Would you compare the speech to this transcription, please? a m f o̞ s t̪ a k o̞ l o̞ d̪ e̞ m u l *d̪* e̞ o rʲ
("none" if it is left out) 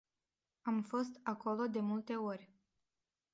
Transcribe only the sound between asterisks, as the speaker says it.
t̪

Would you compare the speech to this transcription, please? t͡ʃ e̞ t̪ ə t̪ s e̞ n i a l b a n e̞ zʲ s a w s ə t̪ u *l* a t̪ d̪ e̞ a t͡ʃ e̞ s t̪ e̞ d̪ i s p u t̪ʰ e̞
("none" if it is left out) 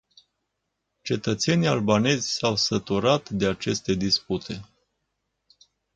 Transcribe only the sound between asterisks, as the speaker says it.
ɾ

